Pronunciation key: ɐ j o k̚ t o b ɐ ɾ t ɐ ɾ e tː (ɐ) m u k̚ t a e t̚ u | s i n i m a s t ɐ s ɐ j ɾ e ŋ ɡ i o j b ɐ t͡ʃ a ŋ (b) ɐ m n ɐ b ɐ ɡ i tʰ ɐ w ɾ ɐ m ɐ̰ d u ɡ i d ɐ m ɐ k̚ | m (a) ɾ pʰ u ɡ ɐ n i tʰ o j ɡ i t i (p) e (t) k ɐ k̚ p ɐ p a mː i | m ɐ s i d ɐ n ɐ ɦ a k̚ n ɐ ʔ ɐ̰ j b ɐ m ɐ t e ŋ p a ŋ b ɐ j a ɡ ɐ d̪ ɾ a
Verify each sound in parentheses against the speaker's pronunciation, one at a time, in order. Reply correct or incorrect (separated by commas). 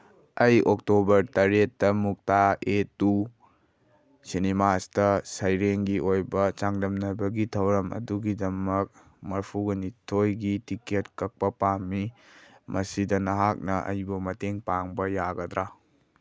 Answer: correct, incorrect, incorrect, incorrect, correct